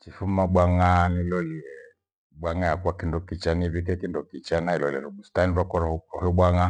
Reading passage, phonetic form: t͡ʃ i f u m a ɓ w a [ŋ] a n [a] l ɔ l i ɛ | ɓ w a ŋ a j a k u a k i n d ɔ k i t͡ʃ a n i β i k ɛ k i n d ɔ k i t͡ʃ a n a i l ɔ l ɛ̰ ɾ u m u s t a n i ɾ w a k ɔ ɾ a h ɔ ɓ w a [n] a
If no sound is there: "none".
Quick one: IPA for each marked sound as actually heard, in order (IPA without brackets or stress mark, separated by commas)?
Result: ŋ, i, ŋ